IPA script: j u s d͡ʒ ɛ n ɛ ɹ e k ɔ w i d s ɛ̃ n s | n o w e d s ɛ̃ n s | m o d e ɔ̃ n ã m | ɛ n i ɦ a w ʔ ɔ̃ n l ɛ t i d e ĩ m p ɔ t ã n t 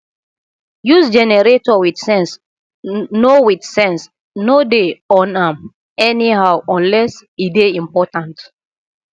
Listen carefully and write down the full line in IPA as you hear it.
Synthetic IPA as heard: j u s d͡ʒ ɛ n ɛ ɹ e t ɔ w i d s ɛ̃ n s | n o w i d s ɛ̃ n s | n o d e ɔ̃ n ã m | ɛ n i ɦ a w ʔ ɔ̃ n l ɛ s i d e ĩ m p ɔ t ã n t